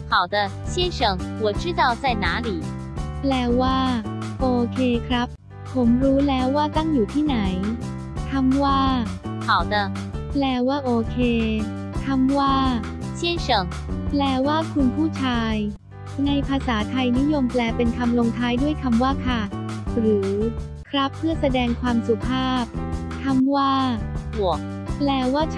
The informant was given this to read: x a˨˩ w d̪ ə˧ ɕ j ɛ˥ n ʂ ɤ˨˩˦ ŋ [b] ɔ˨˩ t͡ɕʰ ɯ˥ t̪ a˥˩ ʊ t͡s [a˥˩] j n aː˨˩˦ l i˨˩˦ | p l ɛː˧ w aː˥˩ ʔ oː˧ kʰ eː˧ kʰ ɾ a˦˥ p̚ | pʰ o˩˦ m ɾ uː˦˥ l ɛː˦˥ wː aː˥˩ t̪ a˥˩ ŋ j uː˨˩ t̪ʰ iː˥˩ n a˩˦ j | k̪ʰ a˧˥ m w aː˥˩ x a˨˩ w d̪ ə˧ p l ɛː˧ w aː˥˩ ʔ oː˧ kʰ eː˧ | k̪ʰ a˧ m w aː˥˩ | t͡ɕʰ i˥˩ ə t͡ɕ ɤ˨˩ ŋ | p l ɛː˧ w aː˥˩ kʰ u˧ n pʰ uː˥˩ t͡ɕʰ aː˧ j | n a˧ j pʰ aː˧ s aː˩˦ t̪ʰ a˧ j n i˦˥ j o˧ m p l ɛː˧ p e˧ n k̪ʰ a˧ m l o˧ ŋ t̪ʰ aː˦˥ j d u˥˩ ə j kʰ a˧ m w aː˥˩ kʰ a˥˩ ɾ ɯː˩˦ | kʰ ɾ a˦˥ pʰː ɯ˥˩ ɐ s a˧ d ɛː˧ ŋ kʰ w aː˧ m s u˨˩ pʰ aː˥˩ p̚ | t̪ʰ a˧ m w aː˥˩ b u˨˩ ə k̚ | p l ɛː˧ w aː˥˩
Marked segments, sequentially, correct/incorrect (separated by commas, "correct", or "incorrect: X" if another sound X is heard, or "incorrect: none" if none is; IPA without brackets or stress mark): incorrect: w, correct